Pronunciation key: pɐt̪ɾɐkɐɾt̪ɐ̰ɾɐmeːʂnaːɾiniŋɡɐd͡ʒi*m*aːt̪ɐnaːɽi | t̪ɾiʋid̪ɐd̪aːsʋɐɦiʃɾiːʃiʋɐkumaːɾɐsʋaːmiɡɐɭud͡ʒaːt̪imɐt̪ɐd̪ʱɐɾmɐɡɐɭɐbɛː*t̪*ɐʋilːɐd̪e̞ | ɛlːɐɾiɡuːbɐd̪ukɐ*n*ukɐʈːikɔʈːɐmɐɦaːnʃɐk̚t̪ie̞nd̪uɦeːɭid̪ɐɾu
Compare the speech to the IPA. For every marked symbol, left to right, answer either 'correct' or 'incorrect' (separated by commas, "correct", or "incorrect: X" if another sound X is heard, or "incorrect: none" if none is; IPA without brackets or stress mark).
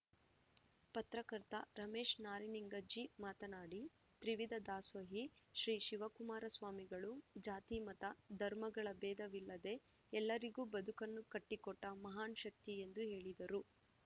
correct, incorrect: d̪, incorrect: nː